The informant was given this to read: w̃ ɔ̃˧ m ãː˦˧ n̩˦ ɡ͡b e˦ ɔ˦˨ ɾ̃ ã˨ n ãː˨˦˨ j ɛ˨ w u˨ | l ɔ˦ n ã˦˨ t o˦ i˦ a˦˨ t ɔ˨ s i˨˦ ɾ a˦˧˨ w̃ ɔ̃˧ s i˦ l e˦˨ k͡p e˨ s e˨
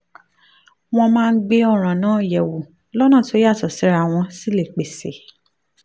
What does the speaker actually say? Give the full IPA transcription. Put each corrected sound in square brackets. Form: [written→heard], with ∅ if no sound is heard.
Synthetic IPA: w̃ ɔ̃˧ m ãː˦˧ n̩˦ ɡ͡b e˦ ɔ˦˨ ɾ̃ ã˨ n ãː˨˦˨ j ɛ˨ w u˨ | l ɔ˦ n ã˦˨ t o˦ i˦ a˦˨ t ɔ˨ s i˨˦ ɾ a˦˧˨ w̃ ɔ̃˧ s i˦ l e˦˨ k͡p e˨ s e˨